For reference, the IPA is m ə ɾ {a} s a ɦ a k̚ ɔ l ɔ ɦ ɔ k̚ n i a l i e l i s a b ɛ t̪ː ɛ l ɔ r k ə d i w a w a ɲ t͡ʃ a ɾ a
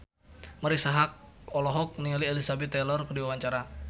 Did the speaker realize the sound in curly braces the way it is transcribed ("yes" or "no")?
no